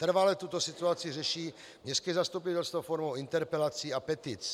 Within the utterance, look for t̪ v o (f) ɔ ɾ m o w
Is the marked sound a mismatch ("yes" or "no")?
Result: no